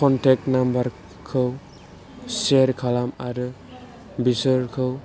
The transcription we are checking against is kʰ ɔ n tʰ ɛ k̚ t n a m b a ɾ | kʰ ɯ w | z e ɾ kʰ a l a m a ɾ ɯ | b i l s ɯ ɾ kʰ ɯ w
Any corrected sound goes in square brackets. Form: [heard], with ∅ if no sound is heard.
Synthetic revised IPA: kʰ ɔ n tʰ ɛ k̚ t n a m b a ɾ | kʰ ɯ w | [s] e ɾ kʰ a l a m a ɾ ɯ | b i [∅] s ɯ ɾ kʰ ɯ w